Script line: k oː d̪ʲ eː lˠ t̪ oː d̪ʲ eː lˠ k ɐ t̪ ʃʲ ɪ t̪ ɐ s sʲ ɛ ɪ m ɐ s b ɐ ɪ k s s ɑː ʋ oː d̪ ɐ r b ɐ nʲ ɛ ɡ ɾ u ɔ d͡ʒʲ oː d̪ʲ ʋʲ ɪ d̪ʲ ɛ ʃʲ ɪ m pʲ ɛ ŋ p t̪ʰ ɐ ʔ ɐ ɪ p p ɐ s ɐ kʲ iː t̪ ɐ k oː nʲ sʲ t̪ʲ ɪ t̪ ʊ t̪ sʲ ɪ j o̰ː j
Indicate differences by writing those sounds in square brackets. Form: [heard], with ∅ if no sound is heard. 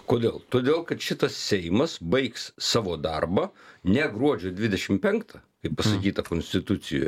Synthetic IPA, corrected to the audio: k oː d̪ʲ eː lˠ t̪ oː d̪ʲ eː lˠ k ɐ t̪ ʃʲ ɪ t̪ ɐ s sʲ ɛ ɪ m ɐ s b ɐ ɪ k s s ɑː ʋ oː d̪ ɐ r b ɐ nʲ ɛ ɡ ɾ u ɔ d͡ʒʲ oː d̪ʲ ʋʲ ɪ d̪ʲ ɛ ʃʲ ɪ m pʲ ɛ ŋ [k] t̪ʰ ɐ [k] ɐ ɪ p p ɐ s ɐ kʲ iː t̪ ɐ k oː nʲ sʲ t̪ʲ ɪ t̪ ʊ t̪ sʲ ɪ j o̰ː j